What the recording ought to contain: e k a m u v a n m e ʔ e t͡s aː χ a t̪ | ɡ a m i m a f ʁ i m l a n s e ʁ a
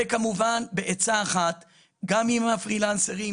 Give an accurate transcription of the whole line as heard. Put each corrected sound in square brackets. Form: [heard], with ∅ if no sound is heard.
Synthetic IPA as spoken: e k a m u v a n [b] e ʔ e t͡s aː χ a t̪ | ɡ a m i m a f ʁ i [∅] l a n s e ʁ [i]

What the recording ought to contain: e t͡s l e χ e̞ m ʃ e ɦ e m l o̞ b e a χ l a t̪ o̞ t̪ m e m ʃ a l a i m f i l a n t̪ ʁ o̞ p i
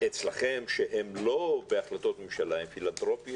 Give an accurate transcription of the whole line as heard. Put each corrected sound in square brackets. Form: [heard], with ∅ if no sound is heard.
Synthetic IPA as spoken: e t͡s l [a] χ e̞ m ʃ e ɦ e m l o̞ b e a χ l a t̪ o̞ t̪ m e m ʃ a l a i m f i l a n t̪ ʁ o̞ p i

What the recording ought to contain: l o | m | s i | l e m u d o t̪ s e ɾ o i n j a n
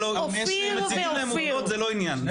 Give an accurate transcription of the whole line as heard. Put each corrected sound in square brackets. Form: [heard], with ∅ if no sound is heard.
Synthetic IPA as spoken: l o | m | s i | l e m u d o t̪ [z] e [l] o i n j a n

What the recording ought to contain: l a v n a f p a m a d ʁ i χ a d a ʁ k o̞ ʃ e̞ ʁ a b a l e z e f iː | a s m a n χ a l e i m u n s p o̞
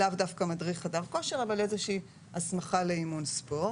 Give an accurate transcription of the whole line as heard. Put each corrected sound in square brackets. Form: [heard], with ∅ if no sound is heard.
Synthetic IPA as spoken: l a v [d] a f [k] a m a d ʁ i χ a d a [v] k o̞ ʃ e̞ ʁ a [v] a l e z e [ʃ] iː | a s m a [∅] χ a l e i m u n s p o̞

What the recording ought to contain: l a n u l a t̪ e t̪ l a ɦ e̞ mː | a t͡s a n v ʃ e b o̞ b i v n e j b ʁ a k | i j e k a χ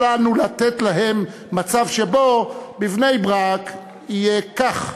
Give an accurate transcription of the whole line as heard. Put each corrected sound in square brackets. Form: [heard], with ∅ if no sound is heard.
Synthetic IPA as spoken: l a n u l a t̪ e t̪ l a ɦ e̞ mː | a t͡s a [∅] v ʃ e b o̞ b i v n e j b ʁ a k | i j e k a χ

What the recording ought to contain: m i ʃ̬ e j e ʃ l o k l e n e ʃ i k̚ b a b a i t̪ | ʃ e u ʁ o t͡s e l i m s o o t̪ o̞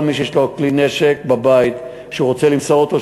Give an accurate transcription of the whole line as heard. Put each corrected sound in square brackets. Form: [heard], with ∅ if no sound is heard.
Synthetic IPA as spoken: m i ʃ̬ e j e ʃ l o k l [i] n e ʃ [e] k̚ b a b a i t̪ | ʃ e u ʁ o t͡s e l i m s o o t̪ o̞

